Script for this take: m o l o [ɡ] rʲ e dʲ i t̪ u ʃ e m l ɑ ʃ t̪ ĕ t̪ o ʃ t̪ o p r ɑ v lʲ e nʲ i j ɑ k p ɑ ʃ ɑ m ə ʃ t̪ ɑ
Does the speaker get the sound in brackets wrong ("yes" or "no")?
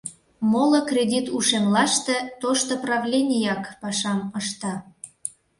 yes